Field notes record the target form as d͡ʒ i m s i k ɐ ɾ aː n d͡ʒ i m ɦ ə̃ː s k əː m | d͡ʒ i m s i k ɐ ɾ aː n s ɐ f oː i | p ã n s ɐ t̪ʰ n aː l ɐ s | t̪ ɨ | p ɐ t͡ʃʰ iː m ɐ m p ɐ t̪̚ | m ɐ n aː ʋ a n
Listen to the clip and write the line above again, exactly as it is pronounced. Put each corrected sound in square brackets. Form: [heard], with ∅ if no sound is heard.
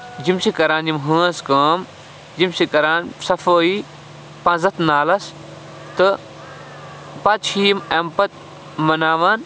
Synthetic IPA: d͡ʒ i m s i k ɐ ɾ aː n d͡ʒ i m ɦ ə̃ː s k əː m | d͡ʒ i m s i k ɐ ɾ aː n s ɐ f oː i | p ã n [z] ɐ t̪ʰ n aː l ɐ s | t̪ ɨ | p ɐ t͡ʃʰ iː m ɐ m p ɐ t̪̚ | m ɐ n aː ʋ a n